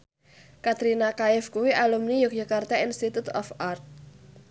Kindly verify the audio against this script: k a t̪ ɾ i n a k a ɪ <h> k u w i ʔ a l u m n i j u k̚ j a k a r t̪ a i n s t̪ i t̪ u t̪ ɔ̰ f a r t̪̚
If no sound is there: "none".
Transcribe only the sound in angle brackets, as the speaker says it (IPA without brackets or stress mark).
f